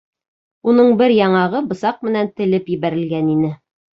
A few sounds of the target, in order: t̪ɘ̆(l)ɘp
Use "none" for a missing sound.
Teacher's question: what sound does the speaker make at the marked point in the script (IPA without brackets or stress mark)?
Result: l